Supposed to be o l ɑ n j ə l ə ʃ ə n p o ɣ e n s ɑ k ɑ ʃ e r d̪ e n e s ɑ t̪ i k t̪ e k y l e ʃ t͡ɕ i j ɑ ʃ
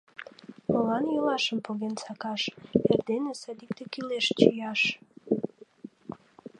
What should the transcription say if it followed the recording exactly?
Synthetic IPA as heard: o l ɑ n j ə l ɑ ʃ ə m p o ɣ e n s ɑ k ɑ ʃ e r d̪ e n e s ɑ d̪ i k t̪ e k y l e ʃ t͡ɕ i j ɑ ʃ